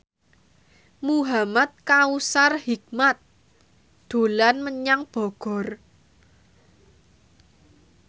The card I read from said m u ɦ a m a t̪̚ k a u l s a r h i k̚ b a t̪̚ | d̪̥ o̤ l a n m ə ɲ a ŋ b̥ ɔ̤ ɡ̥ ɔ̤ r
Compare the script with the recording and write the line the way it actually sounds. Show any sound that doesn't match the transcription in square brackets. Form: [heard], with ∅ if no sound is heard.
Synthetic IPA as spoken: m u ɦ a m a t̪̚ k a u [∅] s a r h i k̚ [m] a t̪̚ | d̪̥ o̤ l a n m ə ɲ a ŋ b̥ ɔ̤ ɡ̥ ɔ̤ r